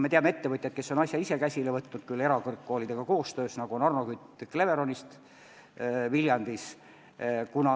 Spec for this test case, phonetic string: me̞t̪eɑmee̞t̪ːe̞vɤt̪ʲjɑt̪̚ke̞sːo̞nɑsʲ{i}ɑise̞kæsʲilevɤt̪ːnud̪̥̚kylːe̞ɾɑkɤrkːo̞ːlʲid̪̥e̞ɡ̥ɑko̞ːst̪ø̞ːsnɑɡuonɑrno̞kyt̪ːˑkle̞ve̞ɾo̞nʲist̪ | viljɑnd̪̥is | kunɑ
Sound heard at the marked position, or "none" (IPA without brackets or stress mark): j